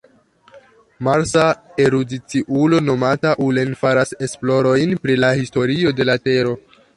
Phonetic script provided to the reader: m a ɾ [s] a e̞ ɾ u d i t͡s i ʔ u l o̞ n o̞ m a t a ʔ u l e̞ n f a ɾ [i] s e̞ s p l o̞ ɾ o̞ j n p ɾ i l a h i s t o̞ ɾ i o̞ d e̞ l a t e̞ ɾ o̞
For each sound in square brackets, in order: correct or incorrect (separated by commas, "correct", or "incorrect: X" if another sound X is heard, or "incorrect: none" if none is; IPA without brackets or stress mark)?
correct, incorrect: a